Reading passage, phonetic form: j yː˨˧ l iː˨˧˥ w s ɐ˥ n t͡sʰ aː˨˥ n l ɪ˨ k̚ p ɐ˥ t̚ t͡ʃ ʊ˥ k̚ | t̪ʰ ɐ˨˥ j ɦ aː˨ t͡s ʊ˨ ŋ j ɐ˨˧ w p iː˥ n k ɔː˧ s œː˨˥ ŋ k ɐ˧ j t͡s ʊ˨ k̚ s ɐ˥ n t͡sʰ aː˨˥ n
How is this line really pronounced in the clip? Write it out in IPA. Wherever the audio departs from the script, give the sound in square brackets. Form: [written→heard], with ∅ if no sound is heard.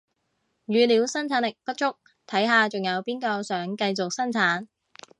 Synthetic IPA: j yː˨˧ l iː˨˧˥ w s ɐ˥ n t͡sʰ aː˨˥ n l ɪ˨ k̚ p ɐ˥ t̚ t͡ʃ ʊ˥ k̚ | t̪ʰ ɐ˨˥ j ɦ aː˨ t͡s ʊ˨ ŋ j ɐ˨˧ w p iː˥ n k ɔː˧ s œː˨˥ ŋ k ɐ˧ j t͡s ʊ˨ k̚ s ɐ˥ n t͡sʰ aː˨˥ n